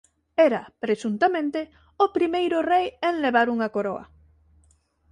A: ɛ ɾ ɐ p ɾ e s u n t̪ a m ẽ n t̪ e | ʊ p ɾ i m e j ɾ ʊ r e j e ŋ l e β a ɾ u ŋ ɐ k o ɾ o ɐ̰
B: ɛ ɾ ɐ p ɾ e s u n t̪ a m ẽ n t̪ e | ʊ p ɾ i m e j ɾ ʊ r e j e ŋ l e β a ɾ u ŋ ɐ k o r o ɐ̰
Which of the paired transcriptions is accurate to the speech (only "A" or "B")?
A